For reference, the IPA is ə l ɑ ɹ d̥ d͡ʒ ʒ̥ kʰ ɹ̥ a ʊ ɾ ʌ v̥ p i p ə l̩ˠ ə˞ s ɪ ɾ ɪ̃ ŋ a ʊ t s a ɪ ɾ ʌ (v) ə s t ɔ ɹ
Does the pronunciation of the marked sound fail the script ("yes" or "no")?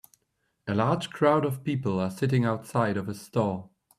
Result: no